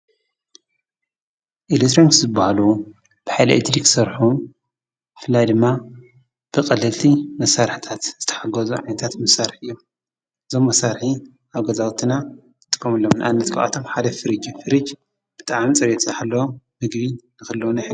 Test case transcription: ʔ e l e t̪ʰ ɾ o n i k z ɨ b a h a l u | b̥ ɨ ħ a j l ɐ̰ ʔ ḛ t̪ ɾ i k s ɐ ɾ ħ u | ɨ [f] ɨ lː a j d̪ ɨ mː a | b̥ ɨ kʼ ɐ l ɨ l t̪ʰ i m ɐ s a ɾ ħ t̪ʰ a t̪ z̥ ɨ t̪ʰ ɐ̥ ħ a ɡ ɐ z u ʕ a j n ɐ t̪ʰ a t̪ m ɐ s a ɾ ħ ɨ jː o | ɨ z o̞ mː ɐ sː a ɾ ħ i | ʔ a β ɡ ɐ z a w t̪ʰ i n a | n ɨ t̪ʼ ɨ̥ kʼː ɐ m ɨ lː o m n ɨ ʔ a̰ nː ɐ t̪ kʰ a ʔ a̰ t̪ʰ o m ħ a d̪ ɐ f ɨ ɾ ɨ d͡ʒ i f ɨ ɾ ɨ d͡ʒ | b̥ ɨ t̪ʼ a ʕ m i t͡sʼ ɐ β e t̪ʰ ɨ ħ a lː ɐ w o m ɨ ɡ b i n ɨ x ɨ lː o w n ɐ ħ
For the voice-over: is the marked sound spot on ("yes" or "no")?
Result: yes